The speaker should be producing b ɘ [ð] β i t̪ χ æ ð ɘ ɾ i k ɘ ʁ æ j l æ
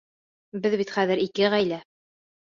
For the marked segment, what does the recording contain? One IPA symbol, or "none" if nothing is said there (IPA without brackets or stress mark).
ð